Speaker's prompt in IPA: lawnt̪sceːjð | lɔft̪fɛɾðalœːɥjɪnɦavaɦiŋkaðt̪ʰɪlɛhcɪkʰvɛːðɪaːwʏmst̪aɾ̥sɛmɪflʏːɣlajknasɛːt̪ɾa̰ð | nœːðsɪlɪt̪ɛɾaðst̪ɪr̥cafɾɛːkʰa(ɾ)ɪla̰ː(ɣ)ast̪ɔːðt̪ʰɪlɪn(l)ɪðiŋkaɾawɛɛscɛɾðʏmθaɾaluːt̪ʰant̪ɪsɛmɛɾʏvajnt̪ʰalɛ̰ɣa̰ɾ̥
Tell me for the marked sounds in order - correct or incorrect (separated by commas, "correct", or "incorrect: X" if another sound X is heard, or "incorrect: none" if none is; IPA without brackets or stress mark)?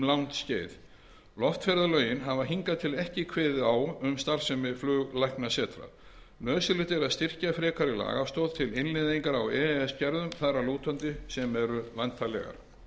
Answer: correct, correct, correct